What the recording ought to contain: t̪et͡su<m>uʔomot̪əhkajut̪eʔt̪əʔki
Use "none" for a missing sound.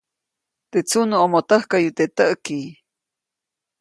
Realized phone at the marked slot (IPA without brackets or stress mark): n